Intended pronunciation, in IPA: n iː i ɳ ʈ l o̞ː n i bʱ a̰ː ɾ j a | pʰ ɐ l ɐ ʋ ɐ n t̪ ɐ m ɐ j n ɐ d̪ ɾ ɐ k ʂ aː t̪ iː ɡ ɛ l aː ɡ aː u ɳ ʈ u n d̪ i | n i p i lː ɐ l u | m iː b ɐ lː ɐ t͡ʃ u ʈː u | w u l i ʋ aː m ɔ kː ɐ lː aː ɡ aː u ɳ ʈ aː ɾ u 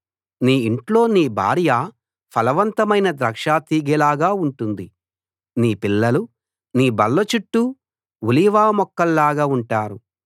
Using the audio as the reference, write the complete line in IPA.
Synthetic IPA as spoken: n iː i ɳ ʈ l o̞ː n iː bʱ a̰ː ɾ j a | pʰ ɐ l ɐ ʋ ɐ n t̪ ɐ m ɐ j n ɐ d̪ ɾ ɐ k ʂ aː t̪ iː ɡ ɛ l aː ɡ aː u ɳ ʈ u n d̪ i | n iː p i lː ɐ l u | n iː b ɐ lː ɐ t͡ʃ u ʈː u | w u l i ʋ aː m ɔ kː ɐ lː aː ɡ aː u ɳ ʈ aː ɾ u